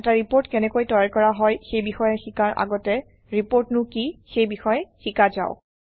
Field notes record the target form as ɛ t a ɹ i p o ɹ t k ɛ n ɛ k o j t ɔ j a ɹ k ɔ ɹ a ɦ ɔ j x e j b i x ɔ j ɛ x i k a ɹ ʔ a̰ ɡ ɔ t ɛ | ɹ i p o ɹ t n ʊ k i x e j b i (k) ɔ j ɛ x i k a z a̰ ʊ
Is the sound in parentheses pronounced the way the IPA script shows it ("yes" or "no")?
no